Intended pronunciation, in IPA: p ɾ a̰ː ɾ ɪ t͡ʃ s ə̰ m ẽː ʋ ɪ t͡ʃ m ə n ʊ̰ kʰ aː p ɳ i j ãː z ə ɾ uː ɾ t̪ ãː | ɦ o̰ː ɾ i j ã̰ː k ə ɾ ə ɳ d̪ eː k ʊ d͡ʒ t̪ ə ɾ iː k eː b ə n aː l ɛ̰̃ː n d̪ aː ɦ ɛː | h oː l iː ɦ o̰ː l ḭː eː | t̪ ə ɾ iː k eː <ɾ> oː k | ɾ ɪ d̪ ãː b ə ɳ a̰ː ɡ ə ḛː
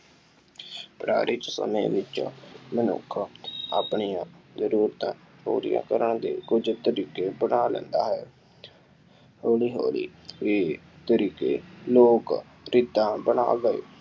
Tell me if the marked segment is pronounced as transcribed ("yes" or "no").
no